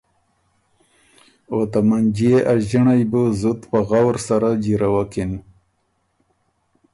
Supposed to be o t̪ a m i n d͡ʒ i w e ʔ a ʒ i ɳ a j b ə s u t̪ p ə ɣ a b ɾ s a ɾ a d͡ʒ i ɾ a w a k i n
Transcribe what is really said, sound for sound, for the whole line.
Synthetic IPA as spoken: o t̪ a m a n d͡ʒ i e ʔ a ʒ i ɳ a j b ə z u t̪ p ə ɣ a w ɾ s a ɾ a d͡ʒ i ɾ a w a k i n